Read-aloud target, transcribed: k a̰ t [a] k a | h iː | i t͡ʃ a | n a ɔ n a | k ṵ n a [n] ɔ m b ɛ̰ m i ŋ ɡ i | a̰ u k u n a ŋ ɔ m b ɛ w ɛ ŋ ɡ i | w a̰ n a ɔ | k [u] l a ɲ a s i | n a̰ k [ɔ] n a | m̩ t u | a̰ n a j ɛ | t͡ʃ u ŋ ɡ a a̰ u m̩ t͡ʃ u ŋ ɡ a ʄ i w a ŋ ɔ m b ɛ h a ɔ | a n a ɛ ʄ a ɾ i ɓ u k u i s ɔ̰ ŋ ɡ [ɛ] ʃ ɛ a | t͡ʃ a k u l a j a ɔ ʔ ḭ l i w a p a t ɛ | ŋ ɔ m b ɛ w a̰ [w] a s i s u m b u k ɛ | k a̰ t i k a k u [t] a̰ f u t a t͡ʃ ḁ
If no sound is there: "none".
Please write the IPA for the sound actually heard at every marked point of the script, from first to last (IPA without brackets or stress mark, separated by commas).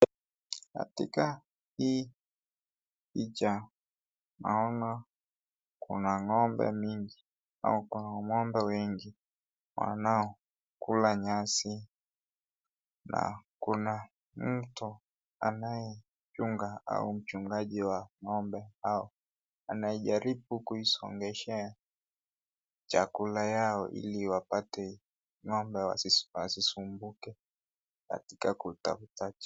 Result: i, ŋ, u, u, ɛ, w, t